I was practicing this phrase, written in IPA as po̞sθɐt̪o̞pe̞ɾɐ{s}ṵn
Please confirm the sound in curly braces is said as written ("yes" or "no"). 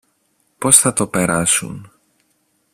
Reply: yes